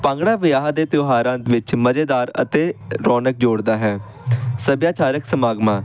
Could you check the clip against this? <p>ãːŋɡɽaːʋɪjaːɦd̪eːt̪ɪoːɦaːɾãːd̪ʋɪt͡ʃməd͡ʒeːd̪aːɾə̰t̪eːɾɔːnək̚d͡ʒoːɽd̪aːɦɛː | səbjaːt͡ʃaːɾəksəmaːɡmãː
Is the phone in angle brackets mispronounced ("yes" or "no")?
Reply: no